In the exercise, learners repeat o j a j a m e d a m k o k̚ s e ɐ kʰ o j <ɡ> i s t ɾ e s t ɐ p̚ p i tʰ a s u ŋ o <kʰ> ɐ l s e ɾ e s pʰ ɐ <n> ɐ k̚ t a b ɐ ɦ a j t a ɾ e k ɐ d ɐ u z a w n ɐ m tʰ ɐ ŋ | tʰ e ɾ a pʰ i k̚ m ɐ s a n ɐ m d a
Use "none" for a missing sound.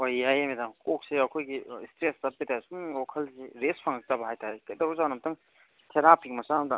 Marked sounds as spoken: ɡ, kʰ, ŋ

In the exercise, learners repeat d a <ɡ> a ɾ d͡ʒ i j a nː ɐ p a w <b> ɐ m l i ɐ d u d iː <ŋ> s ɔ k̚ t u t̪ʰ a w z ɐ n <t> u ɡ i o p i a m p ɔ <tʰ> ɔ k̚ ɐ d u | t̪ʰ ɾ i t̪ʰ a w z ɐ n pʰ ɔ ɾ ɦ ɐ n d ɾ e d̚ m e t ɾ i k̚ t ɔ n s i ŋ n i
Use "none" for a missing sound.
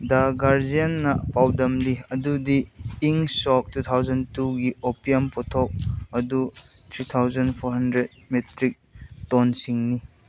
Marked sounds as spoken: ɡ, d, ŋ, t, tʰ

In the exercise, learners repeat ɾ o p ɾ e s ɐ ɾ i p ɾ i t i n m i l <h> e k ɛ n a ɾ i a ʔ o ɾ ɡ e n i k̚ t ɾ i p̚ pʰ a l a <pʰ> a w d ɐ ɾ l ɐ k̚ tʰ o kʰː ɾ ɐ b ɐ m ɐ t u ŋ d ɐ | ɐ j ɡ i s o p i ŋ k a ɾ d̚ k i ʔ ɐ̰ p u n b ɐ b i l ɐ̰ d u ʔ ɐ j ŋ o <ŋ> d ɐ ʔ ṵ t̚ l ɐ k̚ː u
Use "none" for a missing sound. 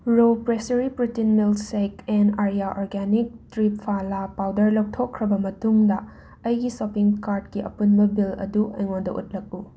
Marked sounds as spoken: s, p, n

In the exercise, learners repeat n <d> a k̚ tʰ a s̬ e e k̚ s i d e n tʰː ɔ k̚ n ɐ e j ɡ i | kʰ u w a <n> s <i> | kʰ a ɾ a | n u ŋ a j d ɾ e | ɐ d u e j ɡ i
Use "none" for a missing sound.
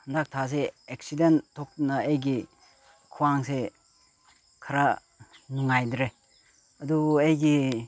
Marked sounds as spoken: d, ŋ, e

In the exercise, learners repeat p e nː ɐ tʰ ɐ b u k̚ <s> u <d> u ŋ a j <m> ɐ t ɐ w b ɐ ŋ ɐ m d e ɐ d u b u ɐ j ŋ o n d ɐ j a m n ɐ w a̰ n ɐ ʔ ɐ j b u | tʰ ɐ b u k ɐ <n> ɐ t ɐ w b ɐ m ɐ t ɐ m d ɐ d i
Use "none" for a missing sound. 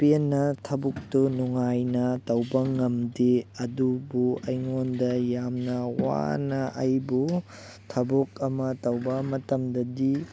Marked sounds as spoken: t, n, n, m

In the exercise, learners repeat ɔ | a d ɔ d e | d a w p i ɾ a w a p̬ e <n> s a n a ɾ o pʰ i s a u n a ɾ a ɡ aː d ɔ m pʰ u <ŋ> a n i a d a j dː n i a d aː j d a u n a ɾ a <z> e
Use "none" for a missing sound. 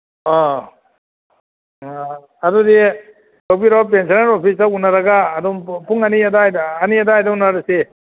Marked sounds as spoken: n, ŋ, s

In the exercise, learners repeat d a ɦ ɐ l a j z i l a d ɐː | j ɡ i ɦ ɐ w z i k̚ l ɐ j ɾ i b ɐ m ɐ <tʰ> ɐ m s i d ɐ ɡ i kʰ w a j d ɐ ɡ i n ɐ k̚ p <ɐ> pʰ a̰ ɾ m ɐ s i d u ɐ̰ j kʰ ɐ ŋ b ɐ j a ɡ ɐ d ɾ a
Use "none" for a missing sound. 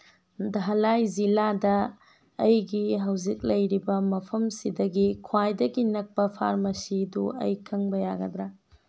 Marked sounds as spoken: pʰ, ɐ

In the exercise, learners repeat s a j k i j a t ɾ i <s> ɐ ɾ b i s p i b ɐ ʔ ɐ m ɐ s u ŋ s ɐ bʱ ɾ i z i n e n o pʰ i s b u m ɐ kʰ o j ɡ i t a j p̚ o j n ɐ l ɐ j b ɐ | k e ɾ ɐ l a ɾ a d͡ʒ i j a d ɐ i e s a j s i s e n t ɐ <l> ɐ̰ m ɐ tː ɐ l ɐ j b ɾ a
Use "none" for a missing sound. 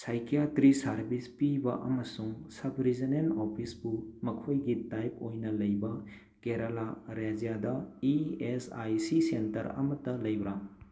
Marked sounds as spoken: s, ɾ

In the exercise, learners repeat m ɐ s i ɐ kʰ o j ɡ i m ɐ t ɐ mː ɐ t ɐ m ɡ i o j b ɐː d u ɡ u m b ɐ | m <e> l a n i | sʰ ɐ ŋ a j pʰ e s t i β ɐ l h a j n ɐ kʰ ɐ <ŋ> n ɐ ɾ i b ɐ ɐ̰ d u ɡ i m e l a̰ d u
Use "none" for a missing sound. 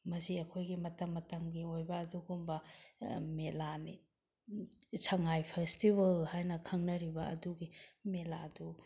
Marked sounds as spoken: e, ŋ

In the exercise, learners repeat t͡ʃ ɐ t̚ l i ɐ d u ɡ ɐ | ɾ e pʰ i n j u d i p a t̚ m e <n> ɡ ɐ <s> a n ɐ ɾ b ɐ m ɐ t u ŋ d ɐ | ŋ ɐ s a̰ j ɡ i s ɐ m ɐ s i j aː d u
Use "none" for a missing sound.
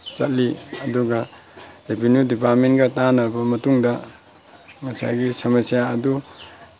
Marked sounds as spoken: n, t

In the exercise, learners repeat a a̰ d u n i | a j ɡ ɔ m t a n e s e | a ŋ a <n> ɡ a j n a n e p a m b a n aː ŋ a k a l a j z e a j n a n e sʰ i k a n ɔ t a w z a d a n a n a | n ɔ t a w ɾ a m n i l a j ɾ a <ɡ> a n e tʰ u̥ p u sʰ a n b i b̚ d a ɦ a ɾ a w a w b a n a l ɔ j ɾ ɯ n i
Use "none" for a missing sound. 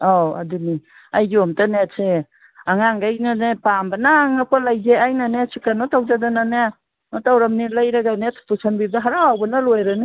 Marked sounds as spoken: ŋ, ɡ

